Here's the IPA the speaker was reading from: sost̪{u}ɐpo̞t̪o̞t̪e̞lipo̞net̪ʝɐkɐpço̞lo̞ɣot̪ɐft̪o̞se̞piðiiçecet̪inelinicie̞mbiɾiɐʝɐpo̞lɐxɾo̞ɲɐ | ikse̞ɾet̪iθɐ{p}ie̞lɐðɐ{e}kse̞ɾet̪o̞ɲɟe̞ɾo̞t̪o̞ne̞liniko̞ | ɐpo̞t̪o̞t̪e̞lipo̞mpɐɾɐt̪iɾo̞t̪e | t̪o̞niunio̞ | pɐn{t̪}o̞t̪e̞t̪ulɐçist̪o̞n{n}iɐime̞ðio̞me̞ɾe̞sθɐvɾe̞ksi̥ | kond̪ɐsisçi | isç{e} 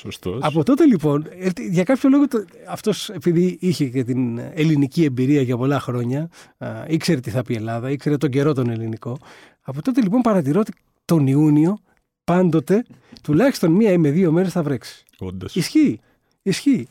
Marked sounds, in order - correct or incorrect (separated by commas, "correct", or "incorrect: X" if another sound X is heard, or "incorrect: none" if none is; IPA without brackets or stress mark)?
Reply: incorrect: o, correct, incorrect: i, incorrect: d̪, incorrect: m, incorrect: i